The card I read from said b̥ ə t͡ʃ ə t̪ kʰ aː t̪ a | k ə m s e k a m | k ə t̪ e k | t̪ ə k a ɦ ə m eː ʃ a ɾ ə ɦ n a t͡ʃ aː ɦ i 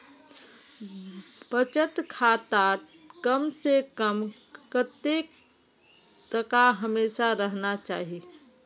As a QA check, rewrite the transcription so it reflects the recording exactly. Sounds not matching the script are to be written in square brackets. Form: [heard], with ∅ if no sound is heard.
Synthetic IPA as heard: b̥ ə t͡ʃ ə t̪ kʰ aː t̪ a | k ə m s e k [ə] m | k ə t̪ e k | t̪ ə k a ɦ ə m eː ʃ a ɾ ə ɦ n a t͡ʃ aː ɦ i